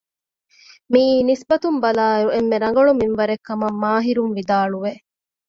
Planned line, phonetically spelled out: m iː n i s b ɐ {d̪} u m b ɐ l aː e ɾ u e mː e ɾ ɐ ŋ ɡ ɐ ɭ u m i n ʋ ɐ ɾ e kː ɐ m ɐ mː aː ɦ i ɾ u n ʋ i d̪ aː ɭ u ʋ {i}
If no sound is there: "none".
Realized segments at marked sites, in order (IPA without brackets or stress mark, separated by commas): t̪, e